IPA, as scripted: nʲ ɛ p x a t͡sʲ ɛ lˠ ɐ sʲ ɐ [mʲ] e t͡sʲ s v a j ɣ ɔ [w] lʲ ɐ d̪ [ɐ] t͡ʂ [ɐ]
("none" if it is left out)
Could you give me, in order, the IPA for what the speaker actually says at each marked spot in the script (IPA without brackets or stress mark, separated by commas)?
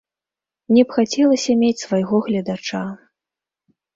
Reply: mʲ, ɣ, a, a